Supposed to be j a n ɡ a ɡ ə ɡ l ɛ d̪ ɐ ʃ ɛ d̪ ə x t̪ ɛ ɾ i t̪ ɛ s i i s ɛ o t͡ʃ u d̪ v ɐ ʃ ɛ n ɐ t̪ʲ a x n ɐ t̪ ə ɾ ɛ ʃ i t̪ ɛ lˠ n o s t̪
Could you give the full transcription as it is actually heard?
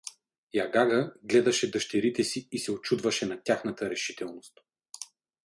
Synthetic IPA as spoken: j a ɡ a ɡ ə ɡ l ɛ d̪ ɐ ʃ ɛ d̪ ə ʃ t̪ ɛ ɾ i t̪ ɛ s i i s ɛ o t͡ʃ u d̪ v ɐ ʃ ɛ n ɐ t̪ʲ a x n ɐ t̪ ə ɾ ɛ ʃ i t̪ ɛ lˠ n o s t̪